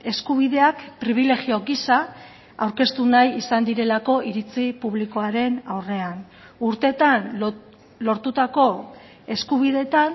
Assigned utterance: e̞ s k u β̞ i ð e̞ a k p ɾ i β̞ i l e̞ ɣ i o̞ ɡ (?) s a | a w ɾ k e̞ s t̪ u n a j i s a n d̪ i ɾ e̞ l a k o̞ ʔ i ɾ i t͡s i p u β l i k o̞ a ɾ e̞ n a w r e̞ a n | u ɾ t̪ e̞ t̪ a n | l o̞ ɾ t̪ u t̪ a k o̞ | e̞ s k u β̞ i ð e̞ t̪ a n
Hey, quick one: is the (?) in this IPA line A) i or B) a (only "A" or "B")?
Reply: A